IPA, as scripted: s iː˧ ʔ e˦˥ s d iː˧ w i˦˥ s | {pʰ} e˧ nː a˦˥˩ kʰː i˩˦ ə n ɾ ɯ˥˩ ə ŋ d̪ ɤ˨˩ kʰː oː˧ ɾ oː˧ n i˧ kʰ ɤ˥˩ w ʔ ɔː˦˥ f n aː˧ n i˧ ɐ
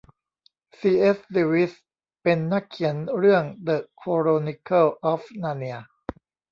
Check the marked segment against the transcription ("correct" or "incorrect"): incorrect